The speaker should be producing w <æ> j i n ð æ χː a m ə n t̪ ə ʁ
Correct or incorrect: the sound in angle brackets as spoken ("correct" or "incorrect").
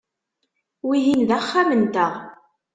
incorrect